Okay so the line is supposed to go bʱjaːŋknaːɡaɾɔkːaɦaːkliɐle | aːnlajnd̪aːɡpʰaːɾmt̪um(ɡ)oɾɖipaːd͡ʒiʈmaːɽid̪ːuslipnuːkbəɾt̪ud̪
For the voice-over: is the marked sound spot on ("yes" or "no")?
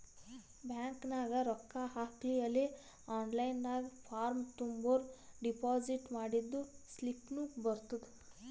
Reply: no